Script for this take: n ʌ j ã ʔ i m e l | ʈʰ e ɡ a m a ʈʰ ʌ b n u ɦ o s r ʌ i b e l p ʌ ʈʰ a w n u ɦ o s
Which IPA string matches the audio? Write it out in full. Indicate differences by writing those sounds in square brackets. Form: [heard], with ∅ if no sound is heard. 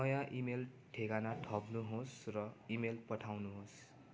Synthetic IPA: n ʌ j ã ʔ i m e l | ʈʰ e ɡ a [n] a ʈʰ ʌ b n u ɦ o s r ʌ i [m] e l p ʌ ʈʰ a w n u ɦ o s